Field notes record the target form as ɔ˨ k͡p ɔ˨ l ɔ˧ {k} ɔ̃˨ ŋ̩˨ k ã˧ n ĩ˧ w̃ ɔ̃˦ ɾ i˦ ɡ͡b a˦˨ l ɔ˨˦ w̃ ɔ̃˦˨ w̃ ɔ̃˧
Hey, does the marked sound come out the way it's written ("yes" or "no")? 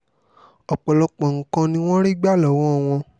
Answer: no